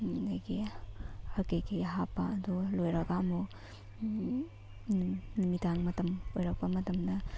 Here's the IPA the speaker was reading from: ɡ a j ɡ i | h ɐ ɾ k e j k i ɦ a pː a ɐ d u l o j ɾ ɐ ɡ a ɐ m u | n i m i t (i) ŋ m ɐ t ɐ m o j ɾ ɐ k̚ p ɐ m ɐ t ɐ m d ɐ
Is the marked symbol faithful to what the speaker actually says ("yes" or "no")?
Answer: no